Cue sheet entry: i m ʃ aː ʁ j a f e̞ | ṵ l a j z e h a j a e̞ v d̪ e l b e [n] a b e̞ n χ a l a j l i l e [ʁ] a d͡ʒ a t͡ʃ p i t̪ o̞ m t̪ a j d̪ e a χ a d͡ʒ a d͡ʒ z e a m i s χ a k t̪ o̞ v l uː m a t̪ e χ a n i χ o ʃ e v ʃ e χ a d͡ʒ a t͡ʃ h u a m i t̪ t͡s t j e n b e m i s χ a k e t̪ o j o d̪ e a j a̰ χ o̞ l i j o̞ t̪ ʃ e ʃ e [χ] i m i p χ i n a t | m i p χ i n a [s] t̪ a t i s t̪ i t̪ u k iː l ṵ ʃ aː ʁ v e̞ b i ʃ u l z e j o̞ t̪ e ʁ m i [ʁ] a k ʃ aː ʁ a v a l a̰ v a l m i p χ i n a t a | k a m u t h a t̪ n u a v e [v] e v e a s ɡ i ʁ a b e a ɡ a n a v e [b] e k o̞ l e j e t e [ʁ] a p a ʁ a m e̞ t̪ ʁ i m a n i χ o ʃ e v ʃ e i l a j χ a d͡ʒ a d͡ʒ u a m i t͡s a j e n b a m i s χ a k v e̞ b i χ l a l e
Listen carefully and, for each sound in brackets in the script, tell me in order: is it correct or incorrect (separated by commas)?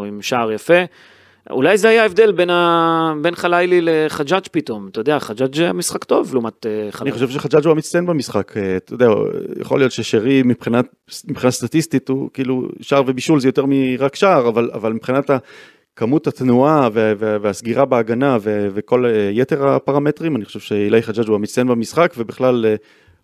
correct, incorrect, incorrect, correct, correct, correct, incorrect, correct